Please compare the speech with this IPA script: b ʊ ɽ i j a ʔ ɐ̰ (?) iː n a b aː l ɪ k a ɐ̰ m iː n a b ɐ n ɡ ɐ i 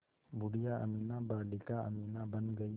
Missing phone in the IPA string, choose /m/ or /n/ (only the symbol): m